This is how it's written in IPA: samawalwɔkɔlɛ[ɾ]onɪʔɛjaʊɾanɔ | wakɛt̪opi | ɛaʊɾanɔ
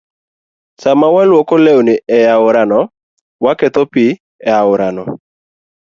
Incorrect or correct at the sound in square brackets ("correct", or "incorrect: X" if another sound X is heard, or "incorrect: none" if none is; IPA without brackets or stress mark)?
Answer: incorrect: none